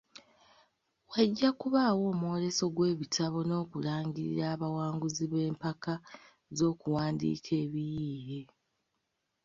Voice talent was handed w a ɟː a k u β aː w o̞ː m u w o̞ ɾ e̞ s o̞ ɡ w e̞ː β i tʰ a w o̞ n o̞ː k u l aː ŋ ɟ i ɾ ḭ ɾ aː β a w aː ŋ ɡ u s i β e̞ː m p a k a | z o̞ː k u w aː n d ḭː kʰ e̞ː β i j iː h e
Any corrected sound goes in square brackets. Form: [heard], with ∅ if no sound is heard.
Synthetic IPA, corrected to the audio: w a ɟː a k u β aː w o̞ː m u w o̞ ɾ e̞ s o̞ ɡ w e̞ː β i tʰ a [β] o̞ n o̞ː k u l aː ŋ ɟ i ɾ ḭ ɾ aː β a w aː ŋ ɡ u [z] i β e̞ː m p a k a | z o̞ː k u w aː n d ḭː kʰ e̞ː β i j iː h e